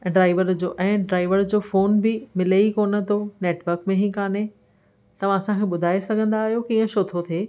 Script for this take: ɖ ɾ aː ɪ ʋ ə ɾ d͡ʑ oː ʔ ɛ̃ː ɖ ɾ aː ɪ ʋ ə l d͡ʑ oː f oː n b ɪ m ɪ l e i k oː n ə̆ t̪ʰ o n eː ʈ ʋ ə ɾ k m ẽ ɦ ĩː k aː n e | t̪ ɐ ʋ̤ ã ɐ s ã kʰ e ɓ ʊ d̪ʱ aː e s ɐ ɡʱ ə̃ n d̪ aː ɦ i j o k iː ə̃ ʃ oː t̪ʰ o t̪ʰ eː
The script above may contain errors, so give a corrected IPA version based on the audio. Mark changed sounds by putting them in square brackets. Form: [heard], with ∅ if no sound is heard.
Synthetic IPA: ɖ ɾ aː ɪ ʋ ə ɾ d͡ʑ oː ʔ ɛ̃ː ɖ ɾ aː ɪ ʋ ə [ɾ] d͡ʑ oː f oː n b ɪ m ɪ l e i k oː n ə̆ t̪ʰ o n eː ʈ ʋ ə ɾ k m ẽ ɦ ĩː k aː n e | t̪ ɐ ʋ̤ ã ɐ s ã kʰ e ɓ ʊ d̪ʱ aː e s ɐ ɡʱ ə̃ n d̪ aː ɦ i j o k iː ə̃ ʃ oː t̪ʰ o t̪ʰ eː